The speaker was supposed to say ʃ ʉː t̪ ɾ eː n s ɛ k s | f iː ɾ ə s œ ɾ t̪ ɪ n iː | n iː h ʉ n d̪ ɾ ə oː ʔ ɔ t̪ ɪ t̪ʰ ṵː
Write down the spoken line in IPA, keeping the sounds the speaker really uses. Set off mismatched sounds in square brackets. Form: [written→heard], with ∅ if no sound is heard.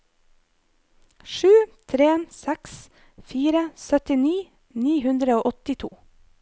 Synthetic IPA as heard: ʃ ʉː [t̪→t̪ʰ] ɾ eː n s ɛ k s | f iː ɾ ə s œ [ɾ→∅] t̪ ɪ n iː | n iː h ʉ n d̪ ɾ ə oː ʔ ɔ t̪ ɪ t̪ʰ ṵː